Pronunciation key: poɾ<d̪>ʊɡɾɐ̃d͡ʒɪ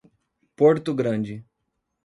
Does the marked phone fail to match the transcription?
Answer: yes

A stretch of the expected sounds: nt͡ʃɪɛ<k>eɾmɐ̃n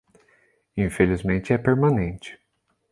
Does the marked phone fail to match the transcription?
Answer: yes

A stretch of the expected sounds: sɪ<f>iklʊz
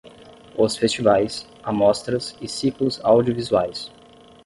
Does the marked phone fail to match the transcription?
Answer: yes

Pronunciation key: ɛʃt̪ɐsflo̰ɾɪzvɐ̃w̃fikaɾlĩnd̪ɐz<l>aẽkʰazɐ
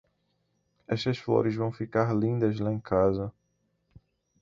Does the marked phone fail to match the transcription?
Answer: no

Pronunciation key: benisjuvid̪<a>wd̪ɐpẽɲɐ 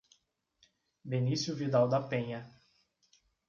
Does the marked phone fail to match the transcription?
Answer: no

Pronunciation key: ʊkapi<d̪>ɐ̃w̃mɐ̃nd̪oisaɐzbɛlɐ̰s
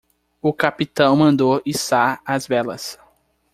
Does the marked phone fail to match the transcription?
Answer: yes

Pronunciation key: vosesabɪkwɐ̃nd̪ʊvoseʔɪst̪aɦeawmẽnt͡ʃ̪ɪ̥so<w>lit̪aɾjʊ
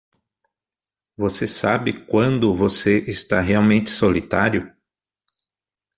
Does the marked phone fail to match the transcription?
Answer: yes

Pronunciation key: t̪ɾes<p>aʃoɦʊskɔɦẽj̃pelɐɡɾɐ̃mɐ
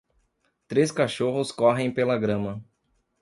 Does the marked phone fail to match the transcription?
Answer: yes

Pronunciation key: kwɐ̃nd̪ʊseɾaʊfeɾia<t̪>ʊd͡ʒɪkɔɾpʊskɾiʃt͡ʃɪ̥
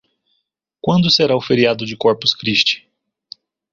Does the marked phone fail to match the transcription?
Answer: yes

